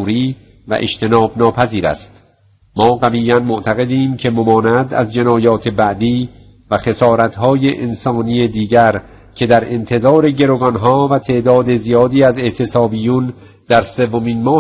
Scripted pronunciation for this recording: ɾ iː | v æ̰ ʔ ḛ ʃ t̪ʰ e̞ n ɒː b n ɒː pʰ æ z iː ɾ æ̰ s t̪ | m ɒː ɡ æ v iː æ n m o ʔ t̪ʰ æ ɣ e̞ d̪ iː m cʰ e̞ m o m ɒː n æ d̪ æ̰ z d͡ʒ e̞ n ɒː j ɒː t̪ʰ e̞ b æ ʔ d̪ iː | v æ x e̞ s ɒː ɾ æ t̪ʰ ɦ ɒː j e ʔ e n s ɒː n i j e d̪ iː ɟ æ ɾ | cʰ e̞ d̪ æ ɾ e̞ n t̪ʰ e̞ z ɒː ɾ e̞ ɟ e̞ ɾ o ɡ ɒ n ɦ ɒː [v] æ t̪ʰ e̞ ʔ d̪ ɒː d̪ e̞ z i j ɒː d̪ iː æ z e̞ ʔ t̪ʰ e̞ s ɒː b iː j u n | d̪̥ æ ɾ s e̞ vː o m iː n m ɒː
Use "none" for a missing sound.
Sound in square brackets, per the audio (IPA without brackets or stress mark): v